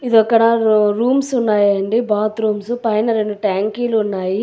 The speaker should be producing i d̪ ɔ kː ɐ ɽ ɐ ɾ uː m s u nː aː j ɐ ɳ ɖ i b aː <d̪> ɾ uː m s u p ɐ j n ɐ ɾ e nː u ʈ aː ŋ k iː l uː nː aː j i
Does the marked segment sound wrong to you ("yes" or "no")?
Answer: yes